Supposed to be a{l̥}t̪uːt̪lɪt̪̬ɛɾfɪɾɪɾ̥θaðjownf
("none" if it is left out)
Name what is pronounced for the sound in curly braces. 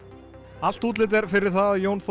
l̥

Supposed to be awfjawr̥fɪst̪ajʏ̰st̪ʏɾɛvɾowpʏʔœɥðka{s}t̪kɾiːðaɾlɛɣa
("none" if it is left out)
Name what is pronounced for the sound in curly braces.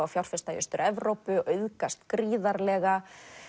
s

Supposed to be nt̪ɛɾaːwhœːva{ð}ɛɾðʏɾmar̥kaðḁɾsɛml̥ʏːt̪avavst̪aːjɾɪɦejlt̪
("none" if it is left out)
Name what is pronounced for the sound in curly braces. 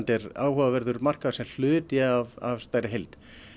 v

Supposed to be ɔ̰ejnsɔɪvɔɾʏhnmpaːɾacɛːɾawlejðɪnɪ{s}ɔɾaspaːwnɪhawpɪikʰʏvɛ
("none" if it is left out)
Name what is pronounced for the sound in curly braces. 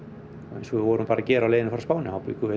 f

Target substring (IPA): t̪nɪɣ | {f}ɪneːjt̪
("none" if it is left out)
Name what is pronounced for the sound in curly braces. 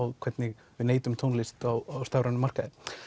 v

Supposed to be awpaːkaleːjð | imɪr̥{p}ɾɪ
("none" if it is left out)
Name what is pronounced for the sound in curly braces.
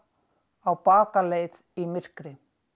k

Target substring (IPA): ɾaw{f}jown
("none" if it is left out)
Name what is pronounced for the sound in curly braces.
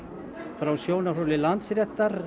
s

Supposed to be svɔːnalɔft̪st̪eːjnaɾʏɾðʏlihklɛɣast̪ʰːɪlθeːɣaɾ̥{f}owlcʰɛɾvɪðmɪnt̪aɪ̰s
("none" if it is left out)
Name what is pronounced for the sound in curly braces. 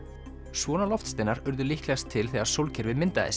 s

